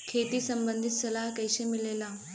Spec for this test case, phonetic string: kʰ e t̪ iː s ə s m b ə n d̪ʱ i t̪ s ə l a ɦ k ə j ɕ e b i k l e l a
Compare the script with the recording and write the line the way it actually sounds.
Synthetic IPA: kʰ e t̪ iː s ə m b ə n d̪ʱ i t̪ s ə l a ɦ k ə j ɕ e m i l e l a